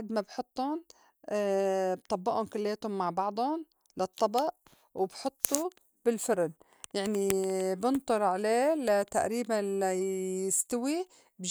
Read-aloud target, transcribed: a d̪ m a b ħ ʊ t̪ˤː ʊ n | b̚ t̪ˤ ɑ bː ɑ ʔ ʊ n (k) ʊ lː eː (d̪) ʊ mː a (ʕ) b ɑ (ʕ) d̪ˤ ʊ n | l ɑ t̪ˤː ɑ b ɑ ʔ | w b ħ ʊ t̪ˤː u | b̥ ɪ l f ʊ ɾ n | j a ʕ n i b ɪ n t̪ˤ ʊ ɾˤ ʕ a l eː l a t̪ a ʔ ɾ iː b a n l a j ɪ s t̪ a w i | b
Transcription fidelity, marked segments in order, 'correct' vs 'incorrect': correct, incorrect: t̪, correct, correct

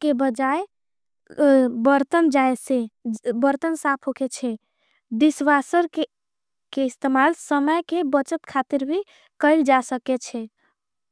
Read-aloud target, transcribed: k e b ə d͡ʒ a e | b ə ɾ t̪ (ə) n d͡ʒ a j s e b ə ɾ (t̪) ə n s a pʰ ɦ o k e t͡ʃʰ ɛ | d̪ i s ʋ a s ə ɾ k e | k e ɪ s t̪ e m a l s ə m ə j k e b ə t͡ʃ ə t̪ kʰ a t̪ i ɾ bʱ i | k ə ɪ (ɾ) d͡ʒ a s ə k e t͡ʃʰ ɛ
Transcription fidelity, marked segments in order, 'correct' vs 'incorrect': correct, correct, incorrect: l

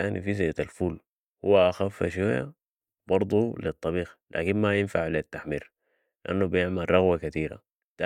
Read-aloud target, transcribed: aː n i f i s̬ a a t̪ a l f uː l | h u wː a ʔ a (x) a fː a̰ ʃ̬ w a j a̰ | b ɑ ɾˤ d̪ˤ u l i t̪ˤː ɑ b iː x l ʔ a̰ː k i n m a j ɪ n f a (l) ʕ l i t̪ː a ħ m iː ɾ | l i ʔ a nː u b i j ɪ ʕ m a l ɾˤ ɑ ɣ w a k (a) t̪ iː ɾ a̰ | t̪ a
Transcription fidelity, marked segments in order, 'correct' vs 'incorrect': correct, incorrect: none, correct

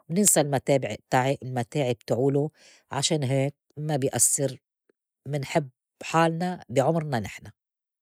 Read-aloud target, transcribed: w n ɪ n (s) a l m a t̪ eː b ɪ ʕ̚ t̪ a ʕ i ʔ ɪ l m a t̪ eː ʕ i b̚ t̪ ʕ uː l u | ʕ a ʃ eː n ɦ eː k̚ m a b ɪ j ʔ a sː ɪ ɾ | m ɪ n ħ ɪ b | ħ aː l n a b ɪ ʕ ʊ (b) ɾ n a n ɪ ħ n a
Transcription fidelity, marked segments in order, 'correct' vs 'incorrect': correct, incorrect: m

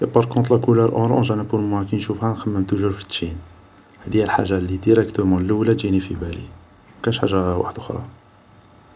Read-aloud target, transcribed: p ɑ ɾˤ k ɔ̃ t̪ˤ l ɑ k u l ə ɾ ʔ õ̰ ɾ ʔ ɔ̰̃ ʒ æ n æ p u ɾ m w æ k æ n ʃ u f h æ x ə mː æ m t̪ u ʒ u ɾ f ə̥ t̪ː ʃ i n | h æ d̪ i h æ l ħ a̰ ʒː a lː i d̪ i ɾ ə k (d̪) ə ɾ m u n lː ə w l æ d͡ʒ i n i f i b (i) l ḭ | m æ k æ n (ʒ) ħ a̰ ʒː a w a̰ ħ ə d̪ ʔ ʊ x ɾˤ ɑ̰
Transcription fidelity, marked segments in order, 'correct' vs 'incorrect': incorrect: t̪, incorrect: æ, incorrect: ʃ

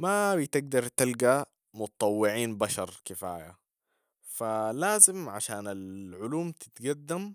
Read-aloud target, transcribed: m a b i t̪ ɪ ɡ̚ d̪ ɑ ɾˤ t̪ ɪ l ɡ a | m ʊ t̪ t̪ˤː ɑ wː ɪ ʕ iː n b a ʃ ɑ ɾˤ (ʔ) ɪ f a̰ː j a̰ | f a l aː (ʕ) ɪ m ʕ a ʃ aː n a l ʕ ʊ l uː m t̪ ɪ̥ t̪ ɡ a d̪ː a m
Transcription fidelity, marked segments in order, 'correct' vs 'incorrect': incorrect: k, incorrect: z

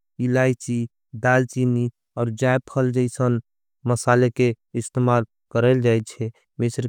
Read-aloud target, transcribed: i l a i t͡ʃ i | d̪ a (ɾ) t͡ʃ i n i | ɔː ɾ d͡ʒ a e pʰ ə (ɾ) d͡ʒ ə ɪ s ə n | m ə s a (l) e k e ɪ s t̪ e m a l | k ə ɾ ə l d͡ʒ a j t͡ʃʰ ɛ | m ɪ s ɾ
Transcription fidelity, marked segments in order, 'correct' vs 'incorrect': incorrect: l, incorrect: l, correct

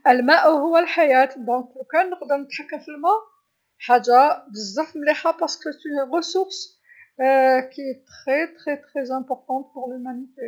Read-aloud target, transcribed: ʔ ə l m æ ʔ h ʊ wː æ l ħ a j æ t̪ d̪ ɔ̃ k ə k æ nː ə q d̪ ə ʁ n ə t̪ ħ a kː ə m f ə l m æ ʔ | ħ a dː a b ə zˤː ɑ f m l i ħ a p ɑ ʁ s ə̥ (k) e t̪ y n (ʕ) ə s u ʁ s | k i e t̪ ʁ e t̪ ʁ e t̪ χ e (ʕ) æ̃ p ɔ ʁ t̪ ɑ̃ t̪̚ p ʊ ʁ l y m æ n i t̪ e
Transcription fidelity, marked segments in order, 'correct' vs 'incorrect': correct, incorrect: ʁ, incorrect: z

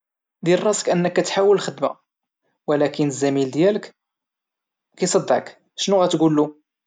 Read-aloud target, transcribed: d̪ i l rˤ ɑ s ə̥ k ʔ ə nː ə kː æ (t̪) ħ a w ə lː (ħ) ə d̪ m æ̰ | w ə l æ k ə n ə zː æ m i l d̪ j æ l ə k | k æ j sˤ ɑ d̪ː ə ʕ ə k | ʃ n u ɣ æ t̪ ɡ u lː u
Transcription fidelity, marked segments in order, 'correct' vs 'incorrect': correct, incorrect: x

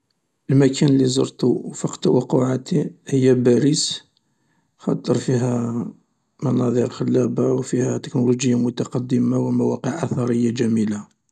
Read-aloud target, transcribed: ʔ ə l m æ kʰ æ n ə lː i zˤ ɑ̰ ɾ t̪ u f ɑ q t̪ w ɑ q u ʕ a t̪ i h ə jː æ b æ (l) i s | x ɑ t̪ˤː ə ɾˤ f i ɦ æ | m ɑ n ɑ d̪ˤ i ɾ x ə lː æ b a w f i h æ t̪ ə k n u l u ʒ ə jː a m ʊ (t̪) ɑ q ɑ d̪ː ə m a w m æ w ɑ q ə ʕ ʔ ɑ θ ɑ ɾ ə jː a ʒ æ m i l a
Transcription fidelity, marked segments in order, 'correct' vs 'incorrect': incorrect: ɾ, correct

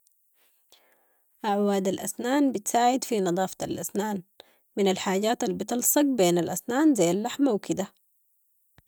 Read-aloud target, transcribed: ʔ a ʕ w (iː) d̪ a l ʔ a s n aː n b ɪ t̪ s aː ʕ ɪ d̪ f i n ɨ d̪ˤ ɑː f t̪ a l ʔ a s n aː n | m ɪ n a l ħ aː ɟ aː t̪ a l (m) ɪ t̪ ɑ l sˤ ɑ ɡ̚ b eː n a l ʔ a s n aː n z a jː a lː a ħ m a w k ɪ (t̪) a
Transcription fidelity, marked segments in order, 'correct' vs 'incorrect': incorrect: aː, incorrect: b, incorrect: d̪

